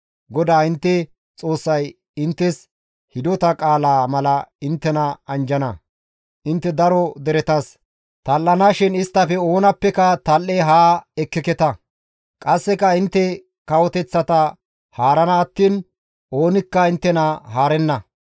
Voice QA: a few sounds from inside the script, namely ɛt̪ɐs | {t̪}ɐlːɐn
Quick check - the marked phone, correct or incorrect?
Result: correct